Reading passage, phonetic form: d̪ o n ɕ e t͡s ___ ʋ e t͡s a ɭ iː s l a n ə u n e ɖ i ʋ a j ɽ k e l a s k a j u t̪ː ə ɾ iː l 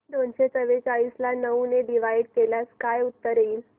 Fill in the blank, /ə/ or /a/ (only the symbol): ə